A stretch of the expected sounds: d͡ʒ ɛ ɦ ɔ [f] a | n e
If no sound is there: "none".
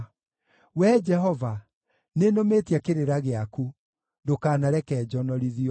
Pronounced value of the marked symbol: v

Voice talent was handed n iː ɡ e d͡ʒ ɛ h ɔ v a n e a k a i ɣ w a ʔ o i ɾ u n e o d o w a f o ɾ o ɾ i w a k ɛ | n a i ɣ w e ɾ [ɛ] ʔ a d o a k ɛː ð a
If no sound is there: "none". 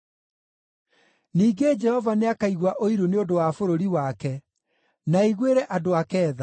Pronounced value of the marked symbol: ɛ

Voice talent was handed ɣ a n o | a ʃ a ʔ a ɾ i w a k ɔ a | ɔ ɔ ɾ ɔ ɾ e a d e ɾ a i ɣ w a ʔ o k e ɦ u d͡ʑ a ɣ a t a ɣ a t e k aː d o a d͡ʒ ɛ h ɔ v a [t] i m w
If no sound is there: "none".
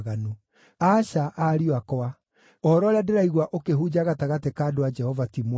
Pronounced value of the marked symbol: t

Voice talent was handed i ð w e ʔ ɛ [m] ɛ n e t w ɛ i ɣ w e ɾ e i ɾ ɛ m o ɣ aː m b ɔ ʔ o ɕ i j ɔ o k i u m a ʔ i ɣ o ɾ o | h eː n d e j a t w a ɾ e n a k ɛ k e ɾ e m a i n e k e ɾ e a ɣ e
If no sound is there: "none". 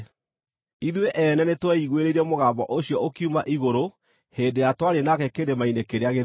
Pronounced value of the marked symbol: n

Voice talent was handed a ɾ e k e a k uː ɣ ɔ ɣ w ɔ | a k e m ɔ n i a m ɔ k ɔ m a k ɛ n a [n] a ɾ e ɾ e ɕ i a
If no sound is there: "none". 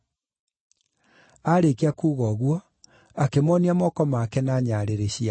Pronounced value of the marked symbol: ɲ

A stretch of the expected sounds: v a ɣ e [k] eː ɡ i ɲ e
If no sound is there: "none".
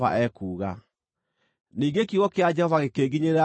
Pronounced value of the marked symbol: k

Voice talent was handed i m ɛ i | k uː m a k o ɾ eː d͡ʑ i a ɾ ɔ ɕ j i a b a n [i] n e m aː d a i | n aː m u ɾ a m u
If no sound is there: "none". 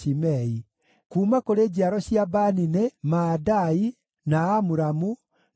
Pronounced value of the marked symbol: i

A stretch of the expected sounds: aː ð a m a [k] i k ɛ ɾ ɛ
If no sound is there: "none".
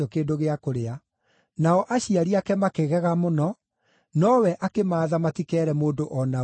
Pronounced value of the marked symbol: t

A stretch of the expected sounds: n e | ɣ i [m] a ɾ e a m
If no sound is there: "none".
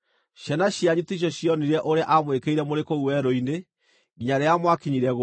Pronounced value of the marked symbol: ɲ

